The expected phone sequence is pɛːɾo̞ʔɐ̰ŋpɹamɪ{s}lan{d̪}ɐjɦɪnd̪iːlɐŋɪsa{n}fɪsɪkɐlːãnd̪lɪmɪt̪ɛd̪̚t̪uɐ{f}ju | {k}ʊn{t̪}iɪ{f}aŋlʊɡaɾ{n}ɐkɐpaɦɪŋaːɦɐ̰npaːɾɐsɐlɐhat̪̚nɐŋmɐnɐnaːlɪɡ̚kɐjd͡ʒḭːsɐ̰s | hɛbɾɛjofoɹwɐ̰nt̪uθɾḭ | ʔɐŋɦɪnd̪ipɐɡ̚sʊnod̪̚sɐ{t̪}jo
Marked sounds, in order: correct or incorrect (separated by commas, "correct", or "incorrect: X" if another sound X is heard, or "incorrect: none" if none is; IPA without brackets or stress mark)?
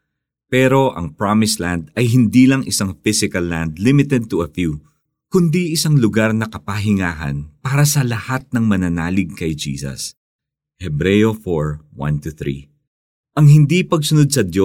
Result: correct, correct, incorrect: ŋ, correct, correct, incorrect: d̪, incorrect: s, correct, incorrect: d̪